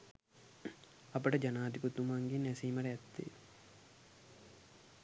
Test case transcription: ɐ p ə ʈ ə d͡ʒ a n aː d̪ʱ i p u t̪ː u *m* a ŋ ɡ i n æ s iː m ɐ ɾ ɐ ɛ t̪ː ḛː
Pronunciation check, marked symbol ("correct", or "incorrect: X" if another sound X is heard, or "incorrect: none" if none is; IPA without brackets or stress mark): correct